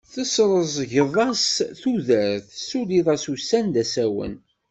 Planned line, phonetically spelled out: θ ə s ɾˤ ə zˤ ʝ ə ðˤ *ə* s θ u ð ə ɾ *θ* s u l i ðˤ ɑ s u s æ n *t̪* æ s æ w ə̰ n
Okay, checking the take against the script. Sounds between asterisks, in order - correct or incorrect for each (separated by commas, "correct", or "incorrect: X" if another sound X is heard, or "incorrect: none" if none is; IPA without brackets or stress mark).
incorrect: ɑ, correct, incorrect: d̪